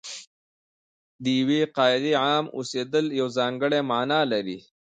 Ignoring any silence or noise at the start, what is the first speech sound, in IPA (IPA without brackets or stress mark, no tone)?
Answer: d̪